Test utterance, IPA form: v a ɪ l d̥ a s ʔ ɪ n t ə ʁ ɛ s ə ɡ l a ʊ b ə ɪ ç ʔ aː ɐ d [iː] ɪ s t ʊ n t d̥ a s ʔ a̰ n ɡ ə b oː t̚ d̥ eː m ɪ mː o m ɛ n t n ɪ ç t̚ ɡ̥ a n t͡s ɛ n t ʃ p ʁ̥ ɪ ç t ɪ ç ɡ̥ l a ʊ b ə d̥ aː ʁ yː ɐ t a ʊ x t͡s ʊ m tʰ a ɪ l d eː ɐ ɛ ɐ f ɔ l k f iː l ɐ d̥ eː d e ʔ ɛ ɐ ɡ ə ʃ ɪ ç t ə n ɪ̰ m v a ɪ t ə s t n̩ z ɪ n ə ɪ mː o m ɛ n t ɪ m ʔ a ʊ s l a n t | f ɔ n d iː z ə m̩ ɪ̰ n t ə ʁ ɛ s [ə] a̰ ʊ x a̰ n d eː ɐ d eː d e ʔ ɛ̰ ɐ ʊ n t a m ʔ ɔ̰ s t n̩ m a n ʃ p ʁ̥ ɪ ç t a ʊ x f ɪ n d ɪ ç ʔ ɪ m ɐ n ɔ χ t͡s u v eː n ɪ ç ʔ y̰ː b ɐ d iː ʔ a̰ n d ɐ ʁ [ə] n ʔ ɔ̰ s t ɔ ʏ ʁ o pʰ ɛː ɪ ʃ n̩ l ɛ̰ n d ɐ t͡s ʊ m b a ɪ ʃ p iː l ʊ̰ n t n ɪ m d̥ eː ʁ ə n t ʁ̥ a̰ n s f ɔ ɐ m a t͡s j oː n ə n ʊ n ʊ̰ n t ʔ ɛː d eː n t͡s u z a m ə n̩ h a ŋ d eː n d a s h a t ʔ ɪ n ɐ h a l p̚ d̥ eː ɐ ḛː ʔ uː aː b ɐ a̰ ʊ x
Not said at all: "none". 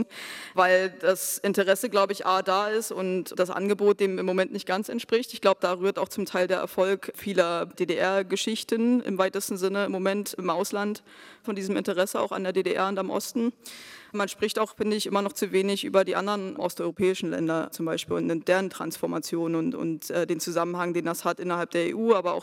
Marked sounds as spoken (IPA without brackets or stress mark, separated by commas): aː, ə, ə